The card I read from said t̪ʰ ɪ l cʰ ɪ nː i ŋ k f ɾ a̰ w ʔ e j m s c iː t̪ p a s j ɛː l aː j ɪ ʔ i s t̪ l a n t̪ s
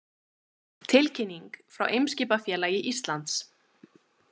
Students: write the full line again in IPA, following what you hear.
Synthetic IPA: t̪ʰ ɪ l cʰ ɪ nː i ŋ k f ɾ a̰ w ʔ e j m s c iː p a f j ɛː l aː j ɪ ʔ i s t̪ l a n t̪ s